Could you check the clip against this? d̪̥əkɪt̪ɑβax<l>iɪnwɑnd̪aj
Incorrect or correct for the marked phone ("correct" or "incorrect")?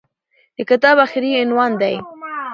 incorrect